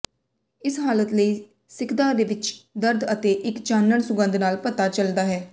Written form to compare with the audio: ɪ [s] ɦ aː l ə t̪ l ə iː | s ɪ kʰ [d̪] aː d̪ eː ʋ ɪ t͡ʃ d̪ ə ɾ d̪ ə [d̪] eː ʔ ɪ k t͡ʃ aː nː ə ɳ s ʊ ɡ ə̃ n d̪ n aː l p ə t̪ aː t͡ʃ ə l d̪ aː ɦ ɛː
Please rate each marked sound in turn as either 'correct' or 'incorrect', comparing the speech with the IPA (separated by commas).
correct, correct, incorrect